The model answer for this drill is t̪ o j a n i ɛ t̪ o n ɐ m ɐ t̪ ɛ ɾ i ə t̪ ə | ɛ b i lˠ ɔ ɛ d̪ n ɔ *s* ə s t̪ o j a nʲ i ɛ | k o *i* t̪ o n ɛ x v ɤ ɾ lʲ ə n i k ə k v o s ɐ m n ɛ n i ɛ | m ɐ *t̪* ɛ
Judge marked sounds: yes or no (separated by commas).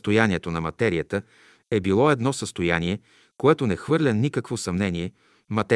yes, no, yes